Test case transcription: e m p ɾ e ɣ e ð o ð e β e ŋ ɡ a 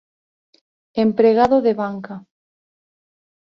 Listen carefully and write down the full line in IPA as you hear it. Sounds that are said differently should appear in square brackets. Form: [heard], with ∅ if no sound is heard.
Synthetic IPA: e m p ɾ e ɣ [a] ð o ð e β [a] ŋ [k] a